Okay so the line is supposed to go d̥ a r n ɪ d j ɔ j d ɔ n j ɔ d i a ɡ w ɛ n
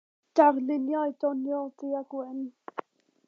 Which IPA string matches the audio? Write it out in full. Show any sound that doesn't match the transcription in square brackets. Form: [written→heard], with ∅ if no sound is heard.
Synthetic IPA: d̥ a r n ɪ [d→n] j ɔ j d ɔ n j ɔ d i a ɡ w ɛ n